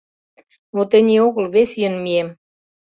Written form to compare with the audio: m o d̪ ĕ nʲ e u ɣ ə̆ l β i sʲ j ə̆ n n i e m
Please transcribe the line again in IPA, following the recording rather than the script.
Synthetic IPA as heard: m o t̪ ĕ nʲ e o ɣ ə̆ l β e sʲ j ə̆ n m i e m